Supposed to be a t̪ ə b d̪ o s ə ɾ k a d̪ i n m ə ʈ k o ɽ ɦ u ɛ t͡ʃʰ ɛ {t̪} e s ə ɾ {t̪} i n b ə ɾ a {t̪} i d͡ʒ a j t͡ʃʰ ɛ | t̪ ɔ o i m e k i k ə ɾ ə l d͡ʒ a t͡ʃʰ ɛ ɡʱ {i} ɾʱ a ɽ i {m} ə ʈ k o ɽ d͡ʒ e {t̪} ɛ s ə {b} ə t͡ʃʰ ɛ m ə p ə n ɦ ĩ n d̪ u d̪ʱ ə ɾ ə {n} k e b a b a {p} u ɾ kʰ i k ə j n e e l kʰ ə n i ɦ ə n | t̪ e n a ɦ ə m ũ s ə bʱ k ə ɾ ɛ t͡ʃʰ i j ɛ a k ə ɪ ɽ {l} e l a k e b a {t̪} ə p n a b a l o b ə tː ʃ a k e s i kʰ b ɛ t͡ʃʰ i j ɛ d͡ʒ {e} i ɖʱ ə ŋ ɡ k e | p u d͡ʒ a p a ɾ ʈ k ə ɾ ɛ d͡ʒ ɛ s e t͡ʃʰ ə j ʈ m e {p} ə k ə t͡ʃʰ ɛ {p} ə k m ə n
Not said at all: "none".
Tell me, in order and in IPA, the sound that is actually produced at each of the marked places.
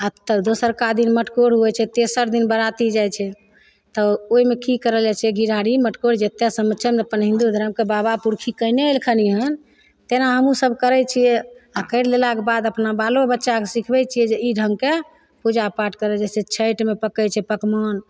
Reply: t̪, d̪, t̪, i, m, t̪, m, m, p, l, d̪, e, p, p

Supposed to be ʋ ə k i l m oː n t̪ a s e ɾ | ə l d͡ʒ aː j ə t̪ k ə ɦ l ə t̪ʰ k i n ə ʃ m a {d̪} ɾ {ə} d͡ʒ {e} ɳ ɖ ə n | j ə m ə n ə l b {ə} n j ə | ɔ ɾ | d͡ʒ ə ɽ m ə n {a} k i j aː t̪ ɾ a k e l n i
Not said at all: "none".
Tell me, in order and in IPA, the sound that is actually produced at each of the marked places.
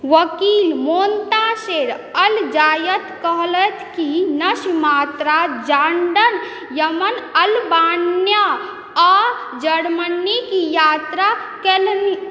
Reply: t̪, a, a, a, i

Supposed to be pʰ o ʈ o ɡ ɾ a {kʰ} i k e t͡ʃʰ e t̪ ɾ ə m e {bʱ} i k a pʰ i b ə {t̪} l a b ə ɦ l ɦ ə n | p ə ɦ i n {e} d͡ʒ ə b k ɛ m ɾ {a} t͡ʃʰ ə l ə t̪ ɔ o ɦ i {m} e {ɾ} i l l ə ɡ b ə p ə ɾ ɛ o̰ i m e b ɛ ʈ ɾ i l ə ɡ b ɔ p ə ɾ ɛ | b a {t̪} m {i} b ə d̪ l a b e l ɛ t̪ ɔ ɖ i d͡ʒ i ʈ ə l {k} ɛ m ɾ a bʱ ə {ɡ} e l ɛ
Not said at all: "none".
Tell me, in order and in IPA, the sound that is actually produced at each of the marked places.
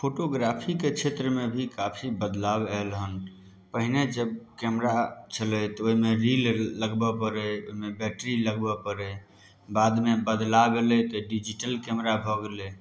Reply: pʰ, bʱ, d̪, e, a, m, ɾ, d̪, e, k, ɡ

